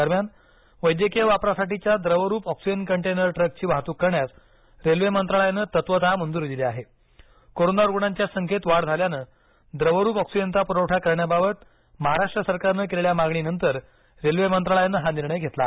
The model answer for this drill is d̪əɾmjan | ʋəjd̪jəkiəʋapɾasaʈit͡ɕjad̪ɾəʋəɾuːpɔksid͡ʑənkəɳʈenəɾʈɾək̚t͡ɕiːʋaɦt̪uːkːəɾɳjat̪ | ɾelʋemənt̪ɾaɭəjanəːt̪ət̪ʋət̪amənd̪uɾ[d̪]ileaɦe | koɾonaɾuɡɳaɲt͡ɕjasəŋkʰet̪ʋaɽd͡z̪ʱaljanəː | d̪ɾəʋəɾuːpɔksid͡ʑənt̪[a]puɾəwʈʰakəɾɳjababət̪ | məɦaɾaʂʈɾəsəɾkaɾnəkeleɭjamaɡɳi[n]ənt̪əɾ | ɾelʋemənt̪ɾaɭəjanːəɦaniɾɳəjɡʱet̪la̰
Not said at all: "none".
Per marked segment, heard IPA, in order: d̪, a, n

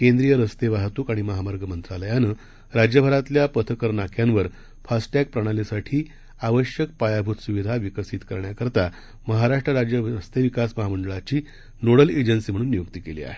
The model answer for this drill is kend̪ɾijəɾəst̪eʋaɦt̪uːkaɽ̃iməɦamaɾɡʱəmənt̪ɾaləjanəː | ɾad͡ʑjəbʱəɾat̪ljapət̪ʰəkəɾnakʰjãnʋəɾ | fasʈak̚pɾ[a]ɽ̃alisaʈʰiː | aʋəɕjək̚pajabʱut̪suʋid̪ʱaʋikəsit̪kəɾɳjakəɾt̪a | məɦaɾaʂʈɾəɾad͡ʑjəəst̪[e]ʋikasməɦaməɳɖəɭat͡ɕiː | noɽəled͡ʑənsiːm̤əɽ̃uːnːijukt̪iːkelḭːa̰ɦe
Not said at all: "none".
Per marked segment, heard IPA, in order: ə, e

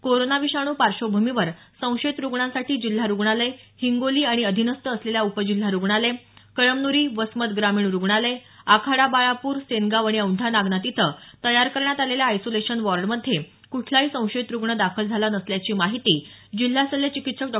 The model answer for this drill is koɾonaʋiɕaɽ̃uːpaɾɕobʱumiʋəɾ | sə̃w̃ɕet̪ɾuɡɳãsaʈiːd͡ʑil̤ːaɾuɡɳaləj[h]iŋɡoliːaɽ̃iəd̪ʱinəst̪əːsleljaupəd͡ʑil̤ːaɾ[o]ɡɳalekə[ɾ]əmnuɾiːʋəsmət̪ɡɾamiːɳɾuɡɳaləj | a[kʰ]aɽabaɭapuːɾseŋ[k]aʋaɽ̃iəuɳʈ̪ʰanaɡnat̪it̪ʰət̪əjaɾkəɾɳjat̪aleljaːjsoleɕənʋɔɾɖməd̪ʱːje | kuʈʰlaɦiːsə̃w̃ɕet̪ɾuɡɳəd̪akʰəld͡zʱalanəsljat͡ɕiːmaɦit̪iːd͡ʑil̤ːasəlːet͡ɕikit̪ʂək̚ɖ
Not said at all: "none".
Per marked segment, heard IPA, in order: h, u, ɭ, kʰ, ɡ

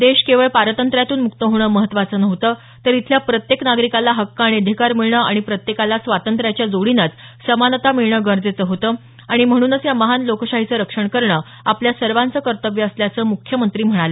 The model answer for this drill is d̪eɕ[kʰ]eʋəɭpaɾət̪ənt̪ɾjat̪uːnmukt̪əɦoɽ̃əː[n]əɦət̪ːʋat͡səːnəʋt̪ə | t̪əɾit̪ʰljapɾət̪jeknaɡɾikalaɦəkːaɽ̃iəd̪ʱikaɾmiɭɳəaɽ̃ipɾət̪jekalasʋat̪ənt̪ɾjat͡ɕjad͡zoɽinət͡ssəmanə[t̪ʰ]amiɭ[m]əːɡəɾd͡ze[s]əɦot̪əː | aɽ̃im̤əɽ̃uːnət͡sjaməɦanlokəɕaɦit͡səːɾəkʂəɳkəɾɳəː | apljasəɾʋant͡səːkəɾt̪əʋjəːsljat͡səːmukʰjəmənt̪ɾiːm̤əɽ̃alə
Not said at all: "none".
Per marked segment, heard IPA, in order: k, m, t̪, ɳ, t͡s

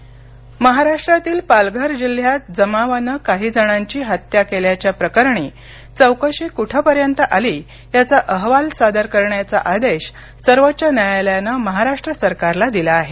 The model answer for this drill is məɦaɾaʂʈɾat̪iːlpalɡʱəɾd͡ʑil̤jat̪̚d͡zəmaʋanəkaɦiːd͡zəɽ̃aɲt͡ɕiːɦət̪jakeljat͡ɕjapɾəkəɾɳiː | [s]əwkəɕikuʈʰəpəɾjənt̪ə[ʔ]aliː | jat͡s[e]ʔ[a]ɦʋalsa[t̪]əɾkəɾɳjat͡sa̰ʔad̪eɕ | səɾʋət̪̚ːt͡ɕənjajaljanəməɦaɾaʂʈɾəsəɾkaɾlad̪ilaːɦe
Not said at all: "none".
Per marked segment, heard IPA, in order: t͡s, ʔ, a, ə, d̪

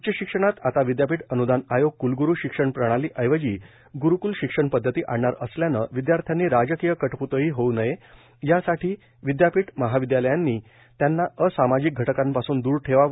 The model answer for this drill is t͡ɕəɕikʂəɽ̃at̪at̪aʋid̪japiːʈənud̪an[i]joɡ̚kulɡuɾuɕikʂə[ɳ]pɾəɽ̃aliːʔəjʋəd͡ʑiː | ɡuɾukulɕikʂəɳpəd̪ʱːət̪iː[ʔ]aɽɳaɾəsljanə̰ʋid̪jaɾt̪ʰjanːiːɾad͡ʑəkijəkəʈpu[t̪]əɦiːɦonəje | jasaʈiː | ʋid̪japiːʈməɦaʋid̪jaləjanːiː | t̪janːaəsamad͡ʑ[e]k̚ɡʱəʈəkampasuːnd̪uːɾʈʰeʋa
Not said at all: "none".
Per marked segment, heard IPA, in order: a, ɳ, ʔ, t̪, i

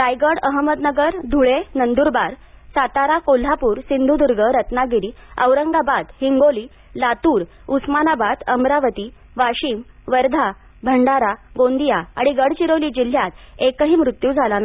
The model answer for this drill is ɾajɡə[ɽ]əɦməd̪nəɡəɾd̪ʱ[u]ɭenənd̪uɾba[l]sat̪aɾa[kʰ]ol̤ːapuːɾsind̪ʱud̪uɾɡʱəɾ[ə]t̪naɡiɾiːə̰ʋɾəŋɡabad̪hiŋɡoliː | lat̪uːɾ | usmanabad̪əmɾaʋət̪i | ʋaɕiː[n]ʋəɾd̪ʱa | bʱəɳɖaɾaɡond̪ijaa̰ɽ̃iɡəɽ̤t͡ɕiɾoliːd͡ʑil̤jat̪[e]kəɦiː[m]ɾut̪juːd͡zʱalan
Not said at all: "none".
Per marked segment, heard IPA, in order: ɽ, u, ɾ, k, ə, m, e, m

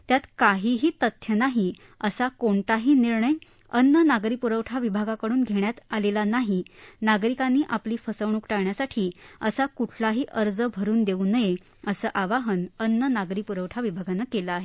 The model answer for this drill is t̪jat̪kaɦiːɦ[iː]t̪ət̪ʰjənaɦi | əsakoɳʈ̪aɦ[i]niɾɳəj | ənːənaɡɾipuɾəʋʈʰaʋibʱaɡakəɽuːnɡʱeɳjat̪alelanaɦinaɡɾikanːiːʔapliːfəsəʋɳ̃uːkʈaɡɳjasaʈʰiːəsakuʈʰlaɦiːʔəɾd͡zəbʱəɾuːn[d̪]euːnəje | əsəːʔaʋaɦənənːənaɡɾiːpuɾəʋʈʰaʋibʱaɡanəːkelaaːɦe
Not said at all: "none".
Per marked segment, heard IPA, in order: iː, iː, d̪

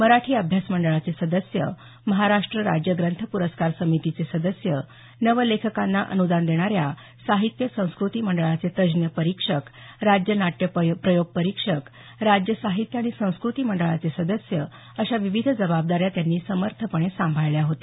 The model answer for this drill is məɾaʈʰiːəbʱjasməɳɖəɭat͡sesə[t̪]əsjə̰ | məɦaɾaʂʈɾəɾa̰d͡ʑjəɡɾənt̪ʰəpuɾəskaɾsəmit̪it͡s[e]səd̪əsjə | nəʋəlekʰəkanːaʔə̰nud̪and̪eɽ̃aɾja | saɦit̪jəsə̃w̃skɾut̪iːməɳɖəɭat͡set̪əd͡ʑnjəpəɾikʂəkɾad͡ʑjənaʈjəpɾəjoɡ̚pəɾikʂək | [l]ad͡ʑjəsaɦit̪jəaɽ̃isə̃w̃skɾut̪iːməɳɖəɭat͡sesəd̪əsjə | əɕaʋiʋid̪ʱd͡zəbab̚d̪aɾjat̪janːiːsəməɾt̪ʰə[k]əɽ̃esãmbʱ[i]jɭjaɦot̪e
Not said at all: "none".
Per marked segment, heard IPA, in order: d̪, e, ɾ, p, a

